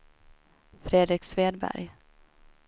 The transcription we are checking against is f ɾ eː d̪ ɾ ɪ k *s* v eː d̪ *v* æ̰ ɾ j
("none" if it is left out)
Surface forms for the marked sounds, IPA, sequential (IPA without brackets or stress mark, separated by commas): s, b